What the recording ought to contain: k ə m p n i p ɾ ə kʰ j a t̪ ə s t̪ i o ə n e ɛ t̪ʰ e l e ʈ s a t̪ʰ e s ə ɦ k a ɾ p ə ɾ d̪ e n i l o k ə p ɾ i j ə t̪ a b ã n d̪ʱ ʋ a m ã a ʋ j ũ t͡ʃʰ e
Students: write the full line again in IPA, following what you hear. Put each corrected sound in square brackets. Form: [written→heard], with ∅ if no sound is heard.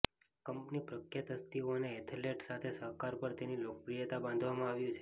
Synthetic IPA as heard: k ə m p n i p ɾ ə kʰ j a t̪ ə s t̪ i o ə n e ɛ t̪ʰ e l e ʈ s a t̪ʰ e s ə ɦ k a ɾ p ə ɾ [d̪→t̪] e n i l o k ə p ɾ i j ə t̪ a b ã n d̪ʱ ʋ a m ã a ʋ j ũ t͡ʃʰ e